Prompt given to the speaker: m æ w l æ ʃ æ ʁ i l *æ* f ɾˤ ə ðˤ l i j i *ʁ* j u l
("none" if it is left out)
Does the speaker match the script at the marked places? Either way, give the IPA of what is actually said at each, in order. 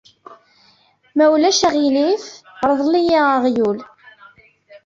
i, ʁ

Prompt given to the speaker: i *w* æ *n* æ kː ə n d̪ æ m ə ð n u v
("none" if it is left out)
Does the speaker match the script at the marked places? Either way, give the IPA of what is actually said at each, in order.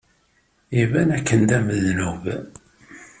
v, n

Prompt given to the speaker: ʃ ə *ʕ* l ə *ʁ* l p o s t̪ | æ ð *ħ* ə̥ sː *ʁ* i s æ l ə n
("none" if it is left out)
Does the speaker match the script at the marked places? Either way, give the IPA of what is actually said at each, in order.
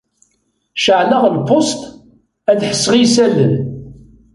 ʕ, ʁ, ħ, ʁ

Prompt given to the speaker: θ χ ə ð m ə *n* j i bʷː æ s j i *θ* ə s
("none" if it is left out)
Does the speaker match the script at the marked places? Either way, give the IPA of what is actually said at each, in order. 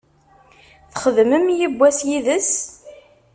m, ð

